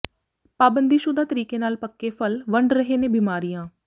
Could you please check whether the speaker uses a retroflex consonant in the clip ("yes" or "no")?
yes